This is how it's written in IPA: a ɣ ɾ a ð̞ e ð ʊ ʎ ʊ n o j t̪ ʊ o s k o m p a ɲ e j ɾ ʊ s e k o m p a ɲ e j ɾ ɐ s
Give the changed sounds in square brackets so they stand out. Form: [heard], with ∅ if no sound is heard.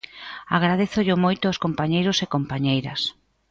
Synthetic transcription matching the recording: a ɣ ɾ a ð̞ e [θ] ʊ ʎ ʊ [m] o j t̪ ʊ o s k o m p a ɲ e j ɾ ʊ s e k o m p a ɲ e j ɾ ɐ s